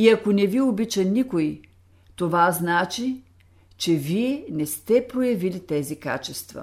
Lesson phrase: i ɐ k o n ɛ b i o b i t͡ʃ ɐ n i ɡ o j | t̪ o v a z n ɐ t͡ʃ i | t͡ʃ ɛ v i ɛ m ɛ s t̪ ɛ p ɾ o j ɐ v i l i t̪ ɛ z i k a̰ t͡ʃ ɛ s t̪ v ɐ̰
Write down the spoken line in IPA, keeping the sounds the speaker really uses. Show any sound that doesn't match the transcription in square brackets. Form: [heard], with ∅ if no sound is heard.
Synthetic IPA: i ɐ k o n ɛ [v] i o b i t͡ʃ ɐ n i [k] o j | t̪ o v a z n [a] t͡ʃ i | t͡ʃ ɛ v i ɛ [n] ɛ s t̪ ɛ p ɾ o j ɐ v i l i t̪ ɛ z i k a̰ t͡ʃ ɛ s t̪ v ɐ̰